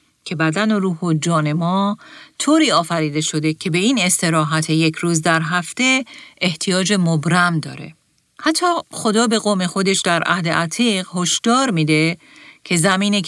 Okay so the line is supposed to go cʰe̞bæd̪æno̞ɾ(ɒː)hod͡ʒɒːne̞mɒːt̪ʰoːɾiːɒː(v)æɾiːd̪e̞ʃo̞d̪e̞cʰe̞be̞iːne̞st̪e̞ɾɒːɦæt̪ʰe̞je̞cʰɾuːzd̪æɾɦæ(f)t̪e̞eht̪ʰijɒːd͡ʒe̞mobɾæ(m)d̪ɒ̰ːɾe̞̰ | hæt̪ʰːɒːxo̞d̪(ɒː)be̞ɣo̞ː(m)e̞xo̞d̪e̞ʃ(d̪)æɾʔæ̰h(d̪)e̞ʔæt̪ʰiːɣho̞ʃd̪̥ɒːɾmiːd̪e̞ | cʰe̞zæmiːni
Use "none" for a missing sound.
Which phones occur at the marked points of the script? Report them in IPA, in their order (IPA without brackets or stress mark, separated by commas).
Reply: uː, f, f, m, ɒː, m, d̪, d̪